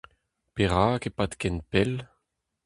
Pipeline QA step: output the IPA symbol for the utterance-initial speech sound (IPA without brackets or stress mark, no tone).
p